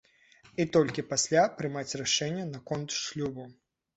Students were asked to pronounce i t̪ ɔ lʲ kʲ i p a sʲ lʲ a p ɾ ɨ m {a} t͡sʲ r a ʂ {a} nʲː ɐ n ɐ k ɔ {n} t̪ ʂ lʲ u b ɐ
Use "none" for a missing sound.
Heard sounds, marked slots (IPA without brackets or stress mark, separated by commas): a, ɛ, n